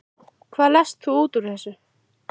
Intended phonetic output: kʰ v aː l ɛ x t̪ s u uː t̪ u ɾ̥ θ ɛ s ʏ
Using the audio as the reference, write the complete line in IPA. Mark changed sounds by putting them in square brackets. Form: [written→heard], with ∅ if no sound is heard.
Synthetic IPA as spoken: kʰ v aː l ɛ [x→s] t̪ [s→θ] u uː t̪ u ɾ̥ θ ɛ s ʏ